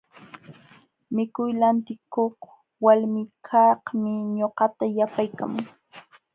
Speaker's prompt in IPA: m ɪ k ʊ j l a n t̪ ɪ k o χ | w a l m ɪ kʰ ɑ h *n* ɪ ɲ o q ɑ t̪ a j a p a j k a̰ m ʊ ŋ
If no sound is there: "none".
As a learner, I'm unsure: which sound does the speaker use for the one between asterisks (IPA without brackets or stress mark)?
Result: m